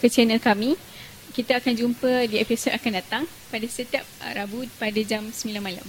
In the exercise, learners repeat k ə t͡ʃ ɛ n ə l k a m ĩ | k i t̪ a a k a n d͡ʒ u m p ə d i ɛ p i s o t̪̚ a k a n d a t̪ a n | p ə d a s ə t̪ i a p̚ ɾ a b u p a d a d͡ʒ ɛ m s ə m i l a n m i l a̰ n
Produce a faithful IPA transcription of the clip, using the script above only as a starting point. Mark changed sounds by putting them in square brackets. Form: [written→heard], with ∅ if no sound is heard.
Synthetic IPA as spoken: k ə t͡ʃ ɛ n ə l k a m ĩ | k i t̪ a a k a n d͡ʒ u m p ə d i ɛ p i s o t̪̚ a k a n d a t̪ a [n→ŋ] | p [ə→a] d a s ə t̪ i a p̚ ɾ a b u p a d a d͡ʒ [ɛ→a] m s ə m i l a n m [i→a] l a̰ [n→m]